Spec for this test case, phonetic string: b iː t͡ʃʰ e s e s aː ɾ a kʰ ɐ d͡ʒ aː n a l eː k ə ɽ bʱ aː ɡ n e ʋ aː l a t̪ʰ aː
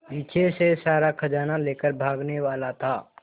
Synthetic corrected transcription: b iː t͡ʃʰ e s e s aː ɾ a kʰ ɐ d͡ʒ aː n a l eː k ə ɾ bʱ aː ɡ n e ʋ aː l a t̪ʰ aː